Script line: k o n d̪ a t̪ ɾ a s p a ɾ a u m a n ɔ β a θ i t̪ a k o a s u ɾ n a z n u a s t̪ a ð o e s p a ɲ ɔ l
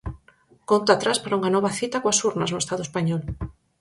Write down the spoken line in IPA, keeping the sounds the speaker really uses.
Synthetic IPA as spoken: k o n t̪ a t̪ ɾ a s p a ɾ a u ŋ a n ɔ β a θ i t̪ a k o a s u ɾ n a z n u e s t̪ a ð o e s p a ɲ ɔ l